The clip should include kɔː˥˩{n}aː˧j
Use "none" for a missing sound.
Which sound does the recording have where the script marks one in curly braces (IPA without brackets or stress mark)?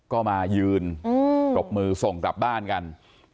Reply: m